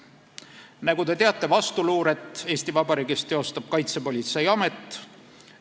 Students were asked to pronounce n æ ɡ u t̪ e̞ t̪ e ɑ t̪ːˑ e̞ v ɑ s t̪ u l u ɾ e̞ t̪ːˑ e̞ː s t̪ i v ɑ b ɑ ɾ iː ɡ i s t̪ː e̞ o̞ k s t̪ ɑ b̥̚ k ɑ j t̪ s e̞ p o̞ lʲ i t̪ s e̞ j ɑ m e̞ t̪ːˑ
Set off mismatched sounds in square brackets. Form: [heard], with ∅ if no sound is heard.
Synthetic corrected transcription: n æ ɡ u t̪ e̞ t̪ e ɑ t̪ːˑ e̞ v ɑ s t̪ u l [uː] ɾ e̞ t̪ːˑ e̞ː s t̪ i v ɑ b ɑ ɾ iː ɡ i s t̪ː e̞ o̞ [∅] s t̪ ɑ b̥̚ k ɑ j t̪ s e̞ p o̞ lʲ i t̪ s e̞ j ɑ m e̞ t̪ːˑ